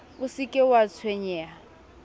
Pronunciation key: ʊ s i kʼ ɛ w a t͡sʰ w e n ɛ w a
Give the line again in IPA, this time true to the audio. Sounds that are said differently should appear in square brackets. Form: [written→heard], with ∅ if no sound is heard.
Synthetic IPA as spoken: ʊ s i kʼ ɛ w a t͡sʰ w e [n→ɲ] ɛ [w→∅] a

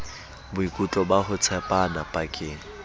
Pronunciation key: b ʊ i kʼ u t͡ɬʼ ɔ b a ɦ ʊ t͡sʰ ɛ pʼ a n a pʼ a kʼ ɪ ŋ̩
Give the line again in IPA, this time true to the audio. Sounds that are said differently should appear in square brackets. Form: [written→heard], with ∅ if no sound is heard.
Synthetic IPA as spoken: b ʊ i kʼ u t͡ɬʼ ɔ b a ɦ ʊ t͡sʰ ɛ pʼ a n a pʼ a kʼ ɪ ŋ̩

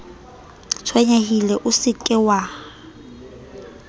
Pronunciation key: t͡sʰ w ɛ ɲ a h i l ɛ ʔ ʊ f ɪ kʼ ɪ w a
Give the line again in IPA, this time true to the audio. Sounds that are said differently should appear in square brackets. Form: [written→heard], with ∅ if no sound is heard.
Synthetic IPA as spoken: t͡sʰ w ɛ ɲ a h i l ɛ ʔ ʊ [f→s] ɪ kʼ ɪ w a

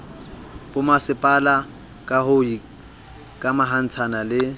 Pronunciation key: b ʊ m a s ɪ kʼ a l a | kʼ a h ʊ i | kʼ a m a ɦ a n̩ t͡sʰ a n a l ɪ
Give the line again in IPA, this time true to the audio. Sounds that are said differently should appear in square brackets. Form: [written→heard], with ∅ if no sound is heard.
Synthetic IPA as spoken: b ʊ m a s ɪ [kʼ→pʼ] a l a | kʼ a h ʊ i | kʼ a m a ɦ a n̩ t͡sʰ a n a l ɪ

